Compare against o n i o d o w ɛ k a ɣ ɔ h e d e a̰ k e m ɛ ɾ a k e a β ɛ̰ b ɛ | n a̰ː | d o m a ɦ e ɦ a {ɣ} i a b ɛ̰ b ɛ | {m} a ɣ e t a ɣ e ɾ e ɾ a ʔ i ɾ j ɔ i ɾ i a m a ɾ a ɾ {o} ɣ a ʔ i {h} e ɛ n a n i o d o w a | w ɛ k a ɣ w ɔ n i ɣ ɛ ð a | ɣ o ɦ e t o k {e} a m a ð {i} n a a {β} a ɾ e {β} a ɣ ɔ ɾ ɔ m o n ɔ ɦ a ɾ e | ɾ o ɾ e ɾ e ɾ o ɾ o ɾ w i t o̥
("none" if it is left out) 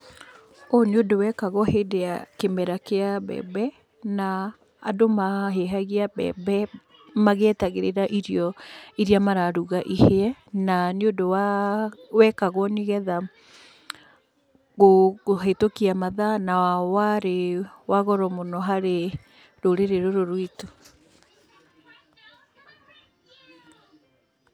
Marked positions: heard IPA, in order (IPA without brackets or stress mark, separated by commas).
ɣ, m, u, h, i, a, w, w